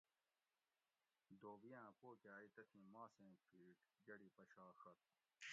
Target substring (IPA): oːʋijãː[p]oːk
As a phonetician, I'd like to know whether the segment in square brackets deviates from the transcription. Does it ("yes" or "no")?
no